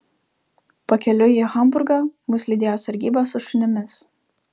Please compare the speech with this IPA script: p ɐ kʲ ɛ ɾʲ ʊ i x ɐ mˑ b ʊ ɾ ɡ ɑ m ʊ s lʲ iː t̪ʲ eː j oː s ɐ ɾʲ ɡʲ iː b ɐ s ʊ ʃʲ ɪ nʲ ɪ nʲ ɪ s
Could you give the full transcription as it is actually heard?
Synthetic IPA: p ɐ kʲ ɛ lʲ ʊ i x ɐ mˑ b ʊ ɾ ɡ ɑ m ʊ s lʲ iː d̪ʲ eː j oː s ɐ ɾʲ ɡʲ iː b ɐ s ʊ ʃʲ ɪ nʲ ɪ mʲ ɪ s